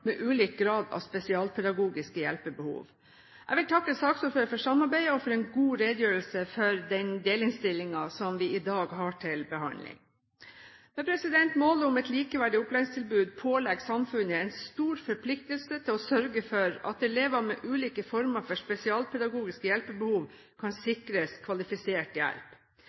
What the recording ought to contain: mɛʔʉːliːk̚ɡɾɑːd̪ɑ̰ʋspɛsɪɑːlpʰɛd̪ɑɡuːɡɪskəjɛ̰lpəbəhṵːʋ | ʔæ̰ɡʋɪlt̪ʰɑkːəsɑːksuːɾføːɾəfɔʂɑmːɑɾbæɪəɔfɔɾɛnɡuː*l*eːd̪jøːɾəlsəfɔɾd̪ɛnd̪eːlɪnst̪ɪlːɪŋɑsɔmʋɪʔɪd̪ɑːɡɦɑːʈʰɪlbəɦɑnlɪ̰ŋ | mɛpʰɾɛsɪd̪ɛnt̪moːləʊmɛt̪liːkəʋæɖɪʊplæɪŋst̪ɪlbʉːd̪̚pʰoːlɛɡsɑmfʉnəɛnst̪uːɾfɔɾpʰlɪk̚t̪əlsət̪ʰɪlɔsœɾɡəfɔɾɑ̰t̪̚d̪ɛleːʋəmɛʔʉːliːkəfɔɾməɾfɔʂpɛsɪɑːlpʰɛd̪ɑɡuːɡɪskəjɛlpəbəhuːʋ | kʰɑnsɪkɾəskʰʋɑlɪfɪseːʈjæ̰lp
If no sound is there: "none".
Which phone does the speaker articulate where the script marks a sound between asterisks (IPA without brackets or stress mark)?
ɾ